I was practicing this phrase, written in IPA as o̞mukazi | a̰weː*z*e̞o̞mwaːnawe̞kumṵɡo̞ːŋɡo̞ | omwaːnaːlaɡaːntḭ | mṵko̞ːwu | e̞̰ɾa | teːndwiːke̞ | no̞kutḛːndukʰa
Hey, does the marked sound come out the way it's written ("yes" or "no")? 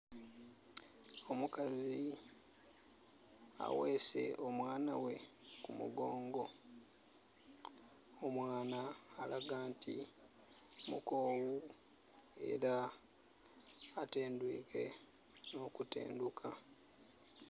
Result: no